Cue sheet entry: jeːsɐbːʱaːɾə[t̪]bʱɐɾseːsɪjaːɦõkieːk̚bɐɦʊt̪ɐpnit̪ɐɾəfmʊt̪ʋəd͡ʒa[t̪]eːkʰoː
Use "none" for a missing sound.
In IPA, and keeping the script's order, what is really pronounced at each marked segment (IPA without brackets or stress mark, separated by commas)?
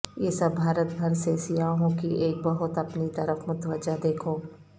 t̪, d̪